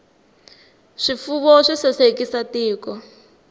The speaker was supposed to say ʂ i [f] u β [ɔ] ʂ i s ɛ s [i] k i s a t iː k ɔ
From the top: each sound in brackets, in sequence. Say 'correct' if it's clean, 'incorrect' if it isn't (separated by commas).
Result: correct, correct, incorrect